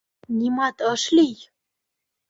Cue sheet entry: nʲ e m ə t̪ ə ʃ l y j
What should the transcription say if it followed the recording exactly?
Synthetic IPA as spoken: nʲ i m ɑ t̪ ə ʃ l i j